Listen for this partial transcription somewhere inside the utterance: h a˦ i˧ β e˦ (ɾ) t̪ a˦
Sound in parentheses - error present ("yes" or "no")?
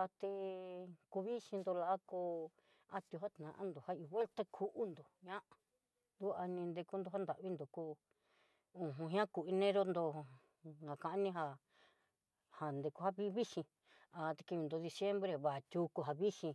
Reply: yes